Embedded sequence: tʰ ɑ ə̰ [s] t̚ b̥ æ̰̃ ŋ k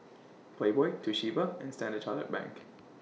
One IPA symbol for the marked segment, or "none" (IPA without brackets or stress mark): none